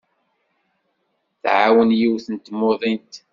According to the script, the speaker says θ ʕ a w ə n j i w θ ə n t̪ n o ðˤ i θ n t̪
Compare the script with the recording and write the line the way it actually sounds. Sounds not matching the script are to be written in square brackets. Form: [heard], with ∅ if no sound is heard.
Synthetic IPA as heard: θ ʕ a w ə n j i w θ ə n t̪ [m] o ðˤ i [∅] n t̪